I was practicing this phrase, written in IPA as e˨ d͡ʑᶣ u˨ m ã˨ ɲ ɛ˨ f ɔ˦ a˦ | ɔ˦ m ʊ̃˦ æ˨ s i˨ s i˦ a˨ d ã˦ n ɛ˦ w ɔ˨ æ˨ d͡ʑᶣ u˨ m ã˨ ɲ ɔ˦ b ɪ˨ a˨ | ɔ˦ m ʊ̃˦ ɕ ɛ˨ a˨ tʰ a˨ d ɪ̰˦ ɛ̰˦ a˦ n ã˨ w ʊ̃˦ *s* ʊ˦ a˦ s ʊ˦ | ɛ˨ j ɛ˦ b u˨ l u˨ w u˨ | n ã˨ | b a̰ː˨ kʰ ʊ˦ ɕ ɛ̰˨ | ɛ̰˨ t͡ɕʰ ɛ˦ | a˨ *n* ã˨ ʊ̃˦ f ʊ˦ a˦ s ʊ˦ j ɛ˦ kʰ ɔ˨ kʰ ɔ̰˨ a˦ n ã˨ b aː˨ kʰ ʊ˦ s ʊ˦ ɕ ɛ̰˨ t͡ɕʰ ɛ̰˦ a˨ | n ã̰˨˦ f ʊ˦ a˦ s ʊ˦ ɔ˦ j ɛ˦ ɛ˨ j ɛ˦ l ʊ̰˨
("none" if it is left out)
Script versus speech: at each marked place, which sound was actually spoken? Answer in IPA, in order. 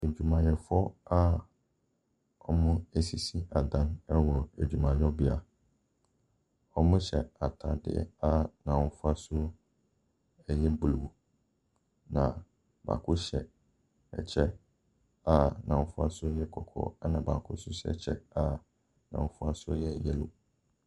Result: f, n

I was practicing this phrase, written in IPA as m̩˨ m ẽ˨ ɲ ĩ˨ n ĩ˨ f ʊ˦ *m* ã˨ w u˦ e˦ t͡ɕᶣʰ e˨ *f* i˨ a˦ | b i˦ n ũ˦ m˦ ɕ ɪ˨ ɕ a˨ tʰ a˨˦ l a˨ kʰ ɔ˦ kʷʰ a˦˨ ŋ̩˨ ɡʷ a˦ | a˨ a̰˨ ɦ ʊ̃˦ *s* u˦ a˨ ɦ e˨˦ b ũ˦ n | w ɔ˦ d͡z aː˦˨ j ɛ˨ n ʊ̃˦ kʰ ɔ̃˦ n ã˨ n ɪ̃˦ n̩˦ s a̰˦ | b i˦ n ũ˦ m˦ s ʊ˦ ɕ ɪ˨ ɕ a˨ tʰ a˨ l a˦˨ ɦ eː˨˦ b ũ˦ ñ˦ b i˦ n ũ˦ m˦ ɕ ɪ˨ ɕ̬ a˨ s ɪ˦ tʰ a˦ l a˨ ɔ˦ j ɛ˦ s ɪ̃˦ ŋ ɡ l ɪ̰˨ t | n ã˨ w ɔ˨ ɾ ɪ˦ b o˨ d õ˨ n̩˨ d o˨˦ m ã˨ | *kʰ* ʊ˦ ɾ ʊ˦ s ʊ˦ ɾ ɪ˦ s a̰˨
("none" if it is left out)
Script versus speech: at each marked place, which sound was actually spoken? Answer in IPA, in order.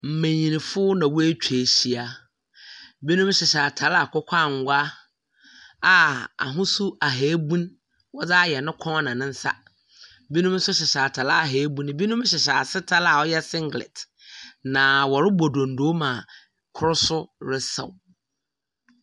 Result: n, ɕ, s, kʰ

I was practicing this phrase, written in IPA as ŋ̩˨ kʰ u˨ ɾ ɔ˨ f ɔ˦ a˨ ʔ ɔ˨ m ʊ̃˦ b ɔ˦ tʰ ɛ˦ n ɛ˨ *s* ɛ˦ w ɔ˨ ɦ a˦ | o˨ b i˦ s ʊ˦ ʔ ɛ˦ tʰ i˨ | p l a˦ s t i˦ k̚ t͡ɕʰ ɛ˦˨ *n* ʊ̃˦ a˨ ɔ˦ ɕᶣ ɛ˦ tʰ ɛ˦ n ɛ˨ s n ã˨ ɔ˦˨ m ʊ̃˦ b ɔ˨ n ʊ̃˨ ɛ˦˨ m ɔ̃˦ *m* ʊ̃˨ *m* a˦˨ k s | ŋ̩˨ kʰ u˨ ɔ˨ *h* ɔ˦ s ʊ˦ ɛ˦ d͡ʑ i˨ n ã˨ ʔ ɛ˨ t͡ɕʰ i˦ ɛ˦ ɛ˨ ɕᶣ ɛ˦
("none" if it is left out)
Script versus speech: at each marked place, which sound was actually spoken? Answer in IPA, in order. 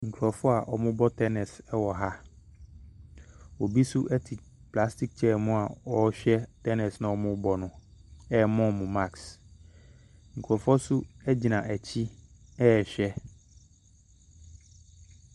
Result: s, m, m, m, f

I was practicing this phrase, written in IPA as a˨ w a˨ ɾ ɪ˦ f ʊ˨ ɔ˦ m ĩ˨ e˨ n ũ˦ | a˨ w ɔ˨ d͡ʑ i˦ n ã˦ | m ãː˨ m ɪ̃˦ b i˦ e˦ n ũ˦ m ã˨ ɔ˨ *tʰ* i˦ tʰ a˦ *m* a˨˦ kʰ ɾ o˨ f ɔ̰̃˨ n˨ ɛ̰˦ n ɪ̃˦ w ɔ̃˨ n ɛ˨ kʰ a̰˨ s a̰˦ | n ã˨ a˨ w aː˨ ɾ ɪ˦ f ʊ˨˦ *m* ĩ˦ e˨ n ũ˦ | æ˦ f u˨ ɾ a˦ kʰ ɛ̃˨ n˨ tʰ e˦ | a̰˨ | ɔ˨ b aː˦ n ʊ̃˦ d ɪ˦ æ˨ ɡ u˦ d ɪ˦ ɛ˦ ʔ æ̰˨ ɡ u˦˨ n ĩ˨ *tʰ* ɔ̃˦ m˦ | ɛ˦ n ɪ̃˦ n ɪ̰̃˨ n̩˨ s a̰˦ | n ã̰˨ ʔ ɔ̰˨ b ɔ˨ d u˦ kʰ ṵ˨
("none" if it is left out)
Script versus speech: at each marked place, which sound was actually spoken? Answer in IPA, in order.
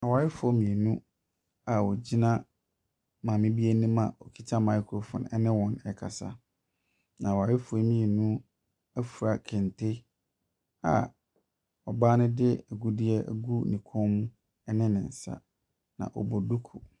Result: kʰ, m, m, kʰ

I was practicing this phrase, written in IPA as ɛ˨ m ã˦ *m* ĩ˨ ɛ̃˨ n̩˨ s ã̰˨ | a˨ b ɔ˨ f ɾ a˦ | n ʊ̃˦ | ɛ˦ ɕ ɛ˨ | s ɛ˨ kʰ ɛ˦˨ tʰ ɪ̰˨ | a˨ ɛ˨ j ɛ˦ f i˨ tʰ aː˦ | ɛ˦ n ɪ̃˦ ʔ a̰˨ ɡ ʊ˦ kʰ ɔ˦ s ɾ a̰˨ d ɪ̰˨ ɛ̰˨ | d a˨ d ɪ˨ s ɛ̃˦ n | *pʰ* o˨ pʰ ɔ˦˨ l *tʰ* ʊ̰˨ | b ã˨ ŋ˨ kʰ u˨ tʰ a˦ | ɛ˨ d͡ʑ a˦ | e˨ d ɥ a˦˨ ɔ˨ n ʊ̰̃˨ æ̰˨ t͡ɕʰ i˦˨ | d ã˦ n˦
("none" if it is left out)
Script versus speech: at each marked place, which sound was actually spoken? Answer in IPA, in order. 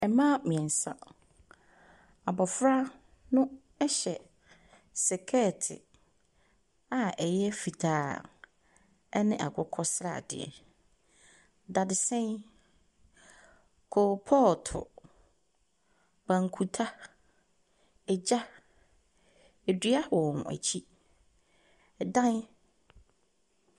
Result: m, kʰ, tʰ

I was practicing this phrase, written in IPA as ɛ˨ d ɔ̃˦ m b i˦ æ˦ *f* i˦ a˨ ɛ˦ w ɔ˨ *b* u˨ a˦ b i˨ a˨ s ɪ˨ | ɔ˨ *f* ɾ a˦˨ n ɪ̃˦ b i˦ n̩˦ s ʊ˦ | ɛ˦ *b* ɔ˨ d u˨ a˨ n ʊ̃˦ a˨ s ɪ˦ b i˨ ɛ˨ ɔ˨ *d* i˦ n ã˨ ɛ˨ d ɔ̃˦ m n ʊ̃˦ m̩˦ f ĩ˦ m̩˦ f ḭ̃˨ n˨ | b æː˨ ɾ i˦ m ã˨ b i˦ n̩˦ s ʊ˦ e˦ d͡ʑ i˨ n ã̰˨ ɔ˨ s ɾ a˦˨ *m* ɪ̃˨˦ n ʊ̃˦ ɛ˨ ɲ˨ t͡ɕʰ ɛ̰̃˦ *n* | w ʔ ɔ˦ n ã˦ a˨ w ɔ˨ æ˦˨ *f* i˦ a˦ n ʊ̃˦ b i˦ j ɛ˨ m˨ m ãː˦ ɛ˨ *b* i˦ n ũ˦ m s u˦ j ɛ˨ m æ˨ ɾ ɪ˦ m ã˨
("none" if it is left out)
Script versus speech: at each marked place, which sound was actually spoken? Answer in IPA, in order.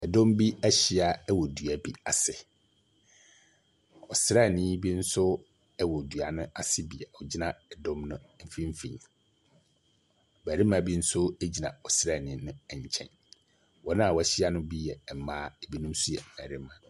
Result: ɕ, d, s, w, d͡ʑ, n, n, ɕ, b

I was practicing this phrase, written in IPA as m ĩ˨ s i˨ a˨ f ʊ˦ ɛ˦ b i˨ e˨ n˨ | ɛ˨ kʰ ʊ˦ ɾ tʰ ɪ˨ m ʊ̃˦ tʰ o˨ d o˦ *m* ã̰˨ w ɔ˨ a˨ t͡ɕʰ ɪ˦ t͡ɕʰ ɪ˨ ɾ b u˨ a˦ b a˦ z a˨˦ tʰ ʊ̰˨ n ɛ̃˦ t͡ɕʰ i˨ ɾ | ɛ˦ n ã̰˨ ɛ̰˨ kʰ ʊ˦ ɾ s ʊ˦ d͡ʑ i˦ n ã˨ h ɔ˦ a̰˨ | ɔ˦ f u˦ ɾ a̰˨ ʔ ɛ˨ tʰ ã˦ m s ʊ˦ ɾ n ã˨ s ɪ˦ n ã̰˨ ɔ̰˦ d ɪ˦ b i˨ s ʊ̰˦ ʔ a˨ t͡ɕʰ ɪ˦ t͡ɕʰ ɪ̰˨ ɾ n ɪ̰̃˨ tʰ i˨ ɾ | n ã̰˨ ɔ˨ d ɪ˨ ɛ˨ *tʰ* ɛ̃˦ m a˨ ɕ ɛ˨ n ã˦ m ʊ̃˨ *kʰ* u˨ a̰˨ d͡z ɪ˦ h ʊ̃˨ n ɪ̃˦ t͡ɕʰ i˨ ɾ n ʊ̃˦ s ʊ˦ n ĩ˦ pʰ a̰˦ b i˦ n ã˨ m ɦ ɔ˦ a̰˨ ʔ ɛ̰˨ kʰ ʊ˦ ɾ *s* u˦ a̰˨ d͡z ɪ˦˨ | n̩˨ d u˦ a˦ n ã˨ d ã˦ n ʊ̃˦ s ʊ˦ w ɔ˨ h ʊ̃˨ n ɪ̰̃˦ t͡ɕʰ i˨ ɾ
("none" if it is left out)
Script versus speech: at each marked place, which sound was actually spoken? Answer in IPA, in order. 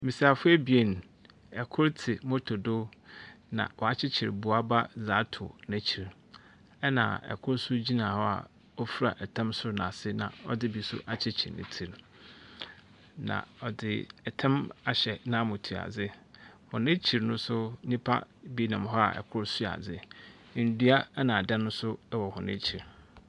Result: n, tʰ, tʰ, s

